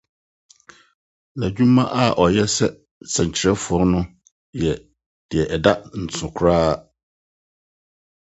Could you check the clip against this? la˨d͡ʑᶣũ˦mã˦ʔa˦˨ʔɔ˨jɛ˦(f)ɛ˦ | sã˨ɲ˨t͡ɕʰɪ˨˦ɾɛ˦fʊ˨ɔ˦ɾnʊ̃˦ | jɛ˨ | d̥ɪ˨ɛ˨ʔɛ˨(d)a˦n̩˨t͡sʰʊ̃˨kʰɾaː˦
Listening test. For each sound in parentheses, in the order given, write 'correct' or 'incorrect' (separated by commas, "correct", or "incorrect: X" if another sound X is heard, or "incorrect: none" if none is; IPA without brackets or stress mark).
incorrect: s, correct